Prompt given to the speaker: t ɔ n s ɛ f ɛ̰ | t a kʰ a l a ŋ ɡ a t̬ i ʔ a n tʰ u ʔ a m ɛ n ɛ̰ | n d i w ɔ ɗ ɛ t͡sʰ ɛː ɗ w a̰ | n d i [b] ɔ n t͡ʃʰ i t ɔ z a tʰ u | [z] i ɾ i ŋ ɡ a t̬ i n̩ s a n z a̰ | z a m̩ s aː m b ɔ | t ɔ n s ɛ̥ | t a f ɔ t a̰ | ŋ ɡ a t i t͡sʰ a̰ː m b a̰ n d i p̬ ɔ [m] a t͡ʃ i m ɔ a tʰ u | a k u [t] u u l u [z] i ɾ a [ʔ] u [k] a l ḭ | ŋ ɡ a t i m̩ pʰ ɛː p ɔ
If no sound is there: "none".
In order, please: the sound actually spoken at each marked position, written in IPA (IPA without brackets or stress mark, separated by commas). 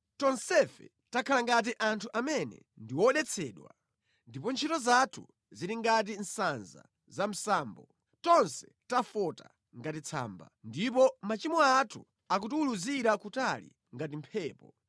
p, z, m, t, z, k, t